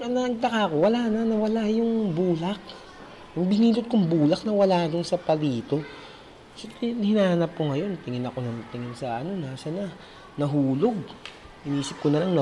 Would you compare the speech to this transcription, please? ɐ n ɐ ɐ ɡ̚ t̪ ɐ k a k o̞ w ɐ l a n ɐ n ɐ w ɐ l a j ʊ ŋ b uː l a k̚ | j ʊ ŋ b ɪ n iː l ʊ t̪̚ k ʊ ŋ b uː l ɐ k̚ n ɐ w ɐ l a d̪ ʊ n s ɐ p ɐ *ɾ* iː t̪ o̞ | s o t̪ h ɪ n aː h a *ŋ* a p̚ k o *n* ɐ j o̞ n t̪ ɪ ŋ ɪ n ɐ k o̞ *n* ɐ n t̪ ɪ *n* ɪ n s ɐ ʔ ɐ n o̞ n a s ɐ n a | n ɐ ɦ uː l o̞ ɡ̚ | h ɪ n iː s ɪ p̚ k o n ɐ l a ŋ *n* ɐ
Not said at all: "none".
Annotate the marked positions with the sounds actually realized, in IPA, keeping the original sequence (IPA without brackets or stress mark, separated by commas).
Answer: l, n, ŋ, n, ŋ, n